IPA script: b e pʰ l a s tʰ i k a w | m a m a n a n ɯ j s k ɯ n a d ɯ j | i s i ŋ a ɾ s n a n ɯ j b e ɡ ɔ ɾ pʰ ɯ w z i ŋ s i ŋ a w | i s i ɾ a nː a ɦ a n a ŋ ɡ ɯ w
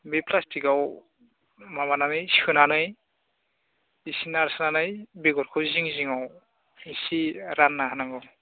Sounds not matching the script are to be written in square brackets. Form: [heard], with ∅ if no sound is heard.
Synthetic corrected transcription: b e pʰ l a s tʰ i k a w | m a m a n a n ɯ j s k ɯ n a [n] ɯ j | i s i [n] a ɾ s n a n ɯ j b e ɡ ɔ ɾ [kʰ] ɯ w z i ŋ [z] i ŋ a w | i s i ɾ a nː a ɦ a n a ŋ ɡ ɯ w